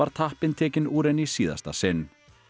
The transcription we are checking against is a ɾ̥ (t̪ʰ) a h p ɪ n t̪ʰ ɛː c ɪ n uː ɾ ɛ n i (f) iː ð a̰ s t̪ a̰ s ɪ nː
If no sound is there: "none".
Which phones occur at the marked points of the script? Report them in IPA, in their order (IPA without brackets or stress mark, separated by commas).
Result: t̪ʰ, s